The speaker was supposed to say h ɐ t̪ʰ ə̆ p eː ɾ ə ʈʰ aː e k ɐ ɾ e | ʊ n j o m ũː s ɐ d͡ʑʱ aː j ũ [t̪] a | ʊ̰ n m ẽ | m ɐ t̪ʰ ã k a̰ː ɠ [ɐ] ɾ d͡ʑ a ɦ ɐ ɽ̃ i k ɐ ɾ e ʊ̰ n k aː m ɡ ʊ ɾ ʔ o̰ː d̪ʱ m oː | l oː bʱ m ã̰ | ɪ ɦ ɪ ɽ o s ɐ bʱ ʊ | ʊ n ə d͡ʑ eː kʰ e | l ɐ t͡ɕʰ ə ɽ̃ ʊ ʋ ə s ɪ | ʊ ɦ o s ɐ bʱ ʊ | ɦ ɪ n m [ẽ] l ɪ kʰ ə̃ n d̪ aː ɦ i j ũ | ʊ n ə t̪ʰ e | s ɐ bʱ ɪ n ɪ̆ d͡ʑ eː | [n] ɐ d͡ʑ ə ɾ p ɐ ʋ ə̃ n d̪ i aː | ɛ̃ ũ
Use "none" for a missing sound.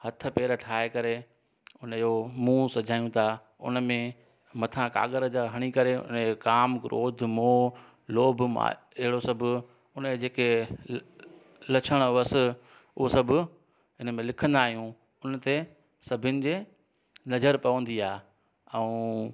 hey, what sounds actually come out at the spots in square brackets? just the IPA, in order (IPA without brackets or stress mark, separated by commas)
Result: t̪ʰ, ə, ẽ, n